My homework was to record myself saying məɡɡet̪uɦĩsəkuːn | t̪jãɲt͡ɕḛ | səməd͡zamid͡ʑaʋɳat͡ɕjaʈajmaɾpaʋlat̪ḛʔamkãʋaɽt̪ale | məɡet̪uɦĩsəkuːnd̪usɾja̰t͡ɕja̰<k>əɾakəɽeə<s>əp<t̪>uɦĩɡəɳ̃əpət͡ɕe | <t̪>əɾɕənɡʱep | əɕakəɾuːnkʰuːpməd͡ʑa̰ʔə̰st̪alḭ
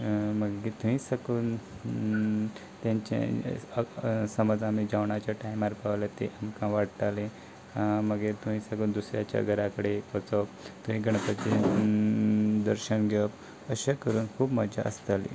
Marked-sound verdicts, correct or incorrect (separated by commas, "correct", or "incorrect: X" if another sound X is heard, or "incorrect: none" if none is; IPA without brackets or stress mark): incorrect: ɡ, incorrect: t͡s, correct, incorrect: d̪